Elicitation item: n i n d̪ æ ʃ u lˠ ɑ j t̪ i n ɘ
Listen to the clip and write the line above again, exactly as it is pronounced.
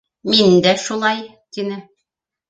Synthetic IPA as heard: m i n d̪ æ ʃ u lˠ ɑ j t̪ i n ɘ